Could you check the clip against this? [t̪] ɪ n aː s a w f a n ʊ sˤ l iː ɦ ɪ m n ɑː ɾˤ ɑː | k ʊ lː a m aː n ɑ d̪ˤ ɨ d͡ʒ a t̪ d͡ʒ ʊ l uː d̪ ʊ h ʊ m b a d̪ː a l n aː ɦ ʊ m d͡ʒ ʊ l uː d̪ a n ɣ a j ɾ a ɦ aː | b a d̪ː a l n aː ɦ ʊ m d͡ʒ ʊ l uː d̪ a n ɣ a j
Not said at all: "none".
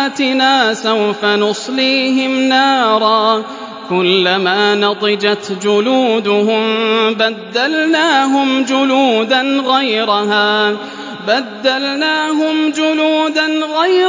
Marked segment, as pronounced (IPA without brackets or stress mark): t̪